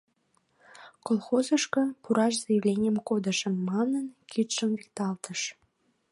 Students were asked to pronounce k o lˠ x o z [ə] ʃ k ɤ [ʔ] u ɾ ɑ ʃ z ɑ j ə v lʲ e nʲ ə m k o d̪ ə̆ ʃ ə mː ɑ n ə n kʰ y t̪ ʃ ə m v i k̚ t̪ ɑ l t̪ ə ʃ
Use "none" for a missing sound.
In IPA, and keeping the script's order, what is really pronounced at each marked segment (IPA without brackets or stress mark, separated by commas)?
ə, p